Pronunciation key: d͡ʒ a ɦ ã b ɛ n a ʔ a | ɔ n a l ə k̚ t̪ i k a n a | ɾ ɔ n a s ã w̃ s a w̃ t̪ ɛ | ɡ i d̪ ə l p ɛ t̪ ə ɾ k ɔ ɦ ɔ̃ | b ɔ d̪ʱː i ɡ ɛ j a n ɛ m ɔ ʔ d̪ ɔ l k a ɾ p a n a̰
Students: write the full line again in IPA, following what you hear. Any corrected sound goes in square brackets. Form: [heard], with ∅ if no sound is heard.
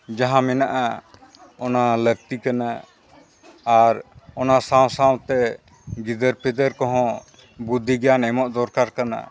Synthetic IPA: d͡ʒ a ɦ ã [m] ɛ n a ʔ a | ɔ n a l ə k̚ t̪ i k a n a | ɾ ɔ n a s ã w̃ s a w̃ t̪ ɛ | ɡ i d̪ ə [ɾ] p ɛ [d̪] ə ɾ k ɔ ɦ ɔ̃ | b [u] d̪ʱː i ɡ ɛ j a n ɛ m ɔ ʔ d̪ ɔ [ɾ] k a ɾ [k] a n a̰